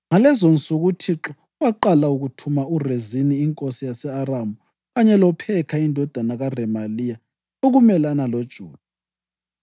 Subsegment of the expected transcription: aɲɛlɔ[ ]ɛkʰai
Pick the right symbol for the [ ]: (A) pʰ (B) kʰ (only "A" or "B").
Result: A